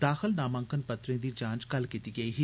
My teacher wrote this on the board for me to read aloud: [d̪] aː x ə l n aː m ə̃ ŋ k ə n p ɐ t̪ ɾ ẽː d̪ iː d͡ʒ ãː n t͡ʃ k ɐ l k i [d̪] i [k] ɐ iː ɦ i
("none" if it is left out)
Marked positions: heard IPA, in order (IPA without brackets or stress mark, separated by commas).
d̪, t̪, ɡ